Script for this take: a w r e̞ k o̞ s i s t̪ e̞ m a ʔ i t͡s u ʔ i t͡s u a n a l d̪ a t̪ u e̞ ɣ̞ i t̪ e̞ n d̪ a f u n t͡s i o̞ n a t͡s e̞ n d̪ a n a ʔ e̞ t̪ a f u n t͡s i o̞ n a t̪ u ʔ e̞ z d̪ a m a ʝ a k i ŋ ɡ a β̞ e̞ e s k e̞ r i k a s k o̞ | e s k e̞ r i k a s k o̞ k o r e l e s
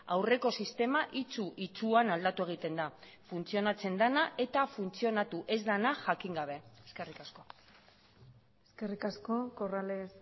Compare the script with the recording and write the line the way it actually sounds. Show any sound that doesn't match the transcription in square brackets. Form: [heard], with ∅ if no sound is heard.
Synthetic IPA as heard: a w r e̞ k o̞ s i s t̪ e̞ m a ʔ i t͡s u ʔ i t͡s u a n a l d̪ a t̪ u e̞ ɣ̞ i t̪ e̞ n d̪ a f u n t͡s i o̞ n a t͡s e̞ n d̪ a n a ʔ e̞ t̪ a f u n t͡s i o̞ n a t̪ u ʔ e̞ z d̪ a [n] a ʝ a k i ŋ ɡ a β̞ e̞ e s k e̞ r i k a s k o̞ | e s k e̞ r i k a s k o̞ k o r [a] l e s